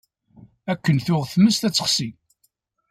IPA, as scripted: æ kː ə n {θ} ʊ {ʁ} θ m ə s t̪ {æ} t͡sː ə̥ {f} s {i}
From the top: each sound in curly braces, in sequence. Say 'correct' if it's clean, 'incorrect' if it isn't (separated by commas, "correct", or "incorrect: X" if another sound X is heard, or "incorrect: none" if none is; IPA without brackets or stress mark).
correct, correct, correct, incorrect: χ, correct